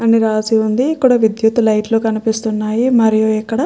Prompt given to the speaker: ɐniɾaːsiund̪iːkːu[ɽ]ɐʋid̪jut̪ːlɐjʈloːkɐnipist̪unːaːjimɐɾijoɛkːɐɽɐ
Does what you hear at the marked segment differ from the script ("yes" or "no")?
no